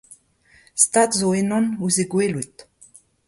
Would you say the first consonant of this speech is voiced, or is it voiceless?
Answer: voiceless